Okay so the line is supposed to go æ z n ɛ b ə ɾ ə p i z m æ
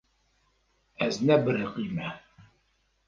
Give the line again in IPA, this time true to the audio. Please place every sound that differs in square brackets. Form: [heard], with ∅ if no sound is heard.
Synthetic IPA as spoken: æ z n [æ] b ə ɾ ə [q] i [∅] m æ